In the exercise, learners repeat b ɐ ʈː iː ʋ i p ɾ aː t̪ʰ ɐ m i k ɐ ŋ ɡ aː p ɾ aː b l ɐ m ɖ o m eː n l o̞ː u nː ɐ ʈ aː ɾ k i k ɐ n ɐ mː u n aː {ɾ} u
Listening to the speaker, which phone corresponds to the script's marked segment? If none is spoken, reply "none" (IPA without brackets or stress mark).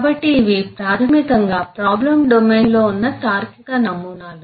l